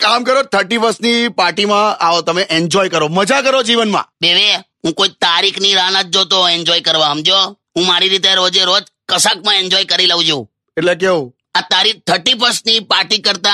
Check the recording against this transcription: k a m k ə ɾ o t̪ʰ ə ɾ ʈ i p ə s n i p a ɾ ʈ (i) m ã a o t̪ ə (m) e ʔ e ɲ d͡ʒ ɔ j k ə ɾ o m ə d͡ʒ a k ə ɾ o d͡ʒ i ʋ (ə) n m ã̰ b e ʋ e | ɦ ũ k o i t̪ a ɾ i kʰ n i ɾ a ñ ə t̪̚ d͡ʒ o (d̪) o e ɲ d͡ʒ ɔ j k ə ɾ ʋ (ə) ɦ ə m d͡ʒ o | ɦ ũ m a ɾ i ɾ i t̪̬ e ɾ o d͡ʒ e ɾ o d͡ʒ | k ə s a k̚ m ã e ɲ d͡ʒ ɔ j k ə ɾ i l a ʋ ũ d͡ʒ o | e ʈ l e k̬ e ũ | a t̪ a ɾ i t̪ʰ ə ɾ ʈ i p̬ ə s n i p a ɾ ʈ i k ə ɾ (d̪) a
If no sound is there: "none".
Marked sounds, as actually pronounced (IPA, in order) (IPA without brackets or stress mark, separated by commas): i, m, ə, t̪, a, t̪